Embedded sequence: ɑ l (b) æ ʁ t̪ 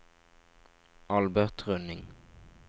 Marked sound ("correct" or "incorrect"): correct